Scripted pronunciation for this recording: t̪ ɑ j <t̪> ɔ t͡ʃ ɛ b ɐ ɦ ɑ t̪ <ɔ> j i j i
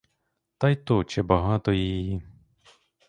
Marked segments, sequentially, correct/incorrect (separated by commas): correct, correct